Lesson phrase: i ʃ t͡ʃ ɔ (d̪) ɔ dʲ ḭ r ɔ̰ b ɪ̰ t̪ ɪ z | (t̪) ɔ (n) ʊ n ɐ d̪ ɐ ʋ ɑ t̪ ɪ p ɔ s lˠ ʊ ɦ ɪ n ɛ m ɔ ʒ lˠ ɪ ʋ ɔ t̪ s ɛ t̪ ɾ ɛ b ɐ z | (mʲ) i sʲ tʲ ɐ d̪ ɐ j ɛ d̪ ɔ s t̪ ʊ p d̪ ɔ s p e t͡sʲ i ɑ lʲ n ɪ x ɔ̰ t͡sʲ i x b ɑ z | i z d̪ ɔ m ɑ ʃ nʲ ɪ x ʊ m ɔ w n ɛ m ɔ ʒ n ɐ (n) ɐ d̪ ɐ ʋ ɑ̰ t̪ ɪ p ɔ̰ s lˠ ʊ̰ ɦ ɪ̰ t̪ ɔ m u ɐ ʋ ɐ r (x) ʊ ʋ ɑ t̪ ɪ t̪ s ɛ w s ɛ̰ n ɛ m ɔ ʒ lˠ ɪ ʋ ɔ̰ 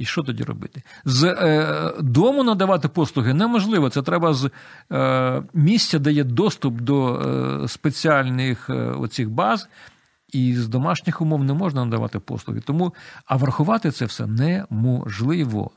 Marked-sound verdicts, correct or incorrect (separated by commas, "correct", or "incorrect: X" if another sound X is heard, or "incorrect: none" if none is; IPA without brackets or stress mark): incorrect: t̪, incorrect: d̪, incorrect: m, correct, correct, correct